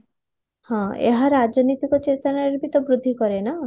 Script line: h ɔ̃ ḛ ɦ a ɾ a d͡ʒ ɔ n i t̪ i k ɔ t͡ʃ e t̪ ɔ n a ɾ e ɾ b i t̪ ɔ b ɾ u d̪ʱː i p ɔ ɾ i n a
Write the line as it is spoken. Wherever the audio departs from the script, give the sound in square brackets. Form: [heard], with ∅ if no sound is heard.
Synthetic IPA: h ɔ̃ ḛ ɦ a ɾ a d͡ʒ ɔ n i t̪ i k ɔ t͡ʃ e t̪ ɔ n a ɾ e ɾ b i t̪ ɔ b ɾ u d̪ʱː i [k] ɔ ɾ [e] n a